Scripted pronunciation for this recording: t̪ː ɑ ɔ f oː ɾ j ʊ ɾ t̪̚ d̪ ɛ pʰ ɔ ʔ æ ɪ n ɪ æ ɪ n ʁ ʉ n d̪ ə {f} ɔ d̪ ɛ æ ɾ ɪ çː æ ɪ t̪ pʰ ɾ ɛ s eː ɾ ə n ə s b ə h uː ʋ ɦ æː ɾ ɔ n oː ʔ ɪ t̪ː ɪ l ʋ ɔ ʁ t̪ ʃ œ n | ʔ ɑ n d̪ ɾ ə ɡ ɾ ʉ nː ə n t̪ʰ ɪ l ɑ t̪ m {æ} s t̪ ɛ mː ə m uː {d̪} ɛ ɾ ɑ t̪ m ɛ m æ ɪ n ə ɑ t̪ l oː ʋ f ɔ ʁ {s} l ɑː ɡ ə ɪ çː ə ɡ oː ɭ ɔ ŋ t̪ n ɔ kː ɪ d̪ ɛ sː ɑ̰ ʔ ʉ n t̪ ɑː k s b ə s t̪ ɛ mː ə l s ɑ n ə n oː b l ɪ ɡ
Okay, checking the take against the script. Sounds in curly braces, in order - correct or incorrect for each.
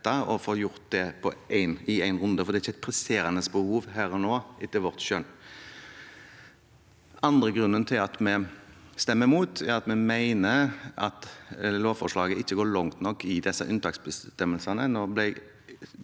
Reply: correct, incorrect, incorrect, incorrect

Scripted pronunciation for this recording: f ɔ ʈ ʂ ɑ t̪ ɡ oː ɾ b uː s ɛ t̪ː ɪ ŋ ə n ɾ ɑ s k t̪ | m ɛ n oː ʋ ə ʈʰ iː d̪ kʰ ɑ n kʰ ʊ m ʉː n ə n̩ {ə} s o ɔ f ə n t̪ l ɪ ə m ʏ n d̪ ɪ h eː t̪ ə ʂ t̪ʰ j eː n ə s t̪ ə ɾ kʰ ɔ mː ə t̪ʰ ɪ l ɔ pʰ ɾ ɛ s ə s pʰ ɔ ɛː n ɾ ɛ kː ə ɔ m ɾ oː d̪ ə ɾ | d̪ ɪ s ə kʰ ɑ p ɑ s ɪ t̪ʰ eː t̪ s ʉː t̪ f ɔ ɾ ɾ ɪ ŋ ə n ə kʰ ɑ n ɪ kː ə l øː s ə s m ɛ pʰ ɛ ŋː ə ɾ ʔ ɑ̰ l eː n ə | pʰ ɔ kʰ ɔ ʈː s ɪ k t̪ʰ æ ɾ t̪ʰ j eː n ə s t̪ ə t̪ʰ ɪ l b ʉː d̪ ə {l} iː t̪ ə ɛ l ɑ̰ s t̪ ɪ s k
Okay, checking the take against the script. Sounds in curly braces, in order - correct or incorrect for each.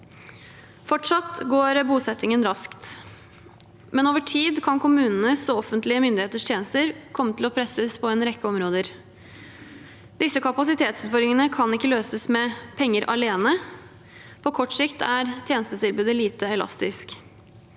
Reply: correct, correct

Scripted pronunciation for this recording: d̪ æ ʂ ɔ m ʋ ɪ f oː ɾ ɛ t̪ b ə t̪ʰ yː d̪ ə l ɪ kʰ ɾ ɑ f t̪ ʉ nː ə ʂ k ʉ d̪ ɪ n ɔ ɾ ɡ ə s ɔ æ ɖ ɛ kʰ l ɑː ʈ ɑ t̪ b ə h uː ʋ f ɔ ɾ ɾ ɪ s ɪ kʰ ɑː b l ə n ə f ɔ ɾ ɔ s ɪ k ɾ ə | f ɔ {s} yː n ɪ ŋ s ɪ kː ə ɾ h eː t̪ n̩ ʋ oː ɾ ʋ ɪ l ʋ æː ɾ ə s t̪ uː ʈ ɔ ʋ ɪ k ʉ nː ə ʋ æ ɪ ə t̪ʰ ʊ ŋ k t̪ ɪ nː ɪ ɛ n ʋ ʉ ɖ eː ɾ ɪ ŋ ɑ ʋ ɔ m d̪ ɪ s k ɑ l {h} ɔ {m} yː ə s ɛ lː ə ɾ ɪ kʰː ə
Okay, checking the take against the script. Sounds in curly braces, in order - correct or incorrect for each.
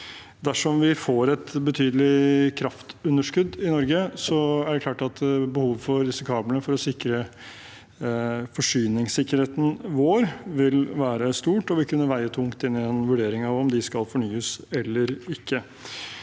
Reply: incorrect, incorrect, incorrect

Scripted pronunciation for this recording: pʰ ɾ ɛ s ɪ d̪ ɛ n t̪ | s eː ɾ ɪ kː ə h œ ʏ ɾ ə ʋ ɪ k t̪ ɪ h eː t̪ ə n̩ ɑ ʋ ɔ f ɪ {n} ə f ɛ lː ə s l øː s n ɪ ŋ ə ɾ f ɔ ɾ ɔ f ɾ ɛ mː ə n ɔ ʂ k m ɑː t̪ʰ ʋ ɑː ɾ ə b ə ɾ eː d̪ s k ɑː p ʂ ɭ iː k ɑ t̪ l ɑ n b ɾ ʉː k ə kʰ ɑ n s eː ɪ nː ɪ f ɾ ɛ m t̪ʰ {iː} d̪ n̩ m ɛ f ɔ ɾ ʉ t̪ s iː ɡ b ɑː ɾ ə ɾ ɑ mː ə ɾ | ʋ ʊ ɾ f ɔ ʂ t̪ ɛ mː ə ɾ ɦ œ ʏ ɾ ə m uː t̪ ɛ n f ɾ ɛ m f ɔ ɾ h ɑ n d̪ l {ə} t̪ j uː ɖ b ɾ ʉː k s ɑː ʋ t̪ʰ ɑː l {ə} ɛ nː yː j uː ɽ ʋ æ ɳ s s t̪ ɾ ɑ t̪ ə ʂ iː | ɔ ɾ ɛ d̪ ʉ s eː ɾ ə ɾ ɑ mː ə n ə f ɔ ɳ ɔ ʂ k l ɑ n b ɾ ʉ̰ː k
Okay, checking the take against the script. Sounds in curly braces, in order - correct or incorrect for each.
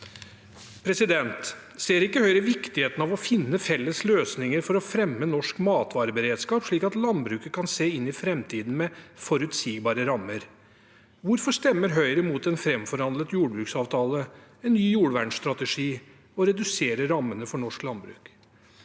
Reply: incorrect, correct, correct, correct

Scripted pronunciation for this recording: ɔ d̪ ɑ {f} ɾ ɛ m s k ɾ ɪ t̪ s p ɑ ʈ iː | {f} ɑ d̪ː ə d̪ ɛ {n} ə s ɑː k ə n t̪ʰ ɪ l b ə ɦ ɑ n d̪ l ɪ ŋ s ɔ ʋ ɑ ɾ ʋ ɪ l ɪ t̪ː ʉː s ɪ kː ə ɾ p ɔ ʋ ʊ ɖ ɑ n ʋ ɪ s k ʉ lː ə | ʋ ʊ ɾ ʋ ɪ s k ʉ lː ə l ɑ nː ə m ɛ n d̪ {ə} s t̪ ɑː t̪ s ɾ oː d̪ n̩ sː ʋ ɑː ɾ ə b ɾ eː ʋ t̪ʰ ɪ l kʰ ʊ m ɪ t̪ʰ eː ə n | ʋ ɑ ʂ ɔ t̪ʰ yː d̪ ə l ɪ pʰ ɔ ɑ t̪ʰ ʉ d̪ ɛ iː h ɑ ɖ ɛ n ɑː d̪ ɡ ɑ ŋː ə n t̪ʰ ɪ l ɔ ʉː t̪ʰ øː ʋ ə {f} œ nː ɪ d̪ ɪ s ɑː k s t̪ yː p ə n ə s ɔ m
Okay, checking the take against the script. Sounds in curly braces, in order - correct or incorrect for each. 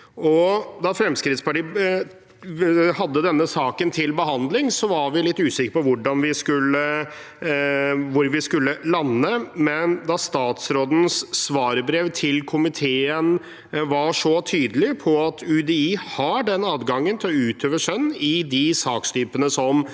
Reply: correct, incorrect, incorrect, incorrect, incorrect

